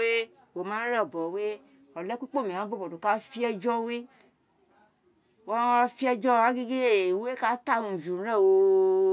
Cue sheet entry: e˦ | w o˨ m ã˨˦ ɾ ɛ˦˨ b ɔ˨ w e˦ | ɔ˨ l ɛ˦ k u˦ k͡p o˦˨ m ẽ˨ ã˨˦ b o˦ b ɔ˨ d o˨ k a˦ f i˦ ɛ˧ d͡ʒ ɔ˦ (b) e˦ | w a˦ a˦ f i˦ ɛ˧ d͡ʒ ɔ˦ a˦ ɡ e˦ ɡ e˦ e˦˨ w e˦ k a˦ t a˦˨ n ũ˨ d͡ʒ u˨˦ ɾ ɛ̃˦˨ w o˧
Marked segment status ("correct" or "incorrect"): incorrect